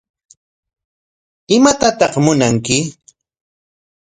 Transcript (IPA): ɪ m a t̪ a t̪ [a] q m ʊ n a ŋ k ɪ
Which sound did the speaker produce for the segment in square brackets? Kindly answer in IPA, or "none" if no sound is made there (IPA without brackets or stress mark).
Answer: ɑ